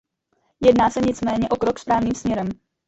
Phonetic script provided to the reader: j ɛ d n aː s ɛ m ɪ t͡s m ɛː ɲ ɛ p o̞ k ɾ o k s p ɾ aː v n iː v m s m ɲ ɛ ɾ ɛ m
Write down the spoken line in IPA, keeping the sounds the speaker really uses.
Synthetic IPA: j ɛ d n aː s ɛ ɲ ɪ t͡s m ɛː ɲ ɛ ʔ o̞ k ɾ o k s p ɾ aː v n iː m s m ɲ ɛ ɾ ɛ m